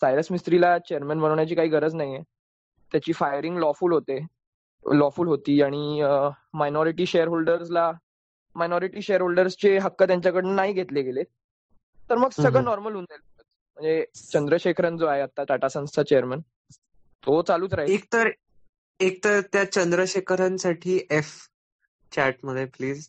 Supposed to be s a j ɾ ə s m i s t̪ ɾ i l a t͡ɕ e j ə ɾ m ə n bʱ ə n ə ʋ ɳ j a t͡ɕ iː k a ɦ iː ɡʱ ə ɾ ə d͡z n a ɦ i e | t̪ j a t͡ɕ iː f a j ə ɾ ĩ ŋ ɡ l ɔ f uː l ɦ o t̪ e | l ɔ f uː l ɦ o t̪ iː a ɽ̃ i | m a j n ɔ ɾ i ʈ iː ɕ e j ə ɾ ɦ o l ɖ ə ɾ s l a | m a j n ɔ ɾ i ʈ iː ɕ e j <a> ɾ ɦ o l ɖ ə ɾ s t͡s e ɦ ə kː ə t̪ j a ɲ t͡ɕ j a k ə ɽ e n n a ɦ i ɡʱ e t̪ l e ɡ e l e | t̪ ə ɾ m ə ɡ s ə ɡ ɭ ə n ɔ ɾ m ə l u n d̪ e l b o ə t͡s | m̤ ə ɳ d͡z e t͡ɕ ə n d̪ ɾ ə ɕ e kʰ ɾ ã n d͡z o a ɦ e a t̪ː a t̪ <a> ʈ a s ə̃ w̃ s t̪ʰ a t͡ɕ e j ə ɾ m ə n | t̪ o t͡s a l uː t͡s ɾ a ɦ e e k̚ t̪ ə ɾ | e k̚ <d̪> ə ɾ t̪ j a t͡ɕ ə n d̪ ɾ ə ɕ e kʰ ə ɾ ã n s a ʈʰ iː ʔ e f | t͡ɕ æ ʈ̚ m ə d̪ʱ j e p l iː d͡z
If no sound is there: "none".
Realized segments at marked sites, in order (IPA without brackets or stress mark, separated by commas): ə, a, t̪